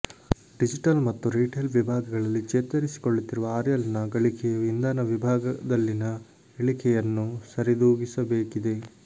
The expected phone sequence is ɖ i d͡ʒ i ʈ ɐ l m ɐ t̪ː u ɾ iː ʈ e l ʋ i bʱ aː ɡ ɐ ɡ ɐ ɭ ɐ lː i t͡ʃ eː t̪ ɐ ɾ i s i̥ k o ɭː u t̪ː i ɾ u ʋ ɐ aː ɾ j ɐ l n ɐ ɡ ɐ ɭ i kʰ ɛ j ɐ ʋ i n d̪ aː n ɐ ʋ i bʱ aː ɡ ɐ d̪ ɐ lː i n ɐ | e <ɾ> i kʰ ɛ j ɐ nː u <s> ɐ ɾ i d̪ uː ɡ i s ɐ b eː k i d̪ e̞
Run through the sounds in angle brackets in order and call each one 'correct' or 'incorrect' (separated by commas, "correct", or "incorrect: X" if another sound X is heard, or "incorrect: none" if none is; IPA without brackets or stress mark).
incorrect: ɭ, correct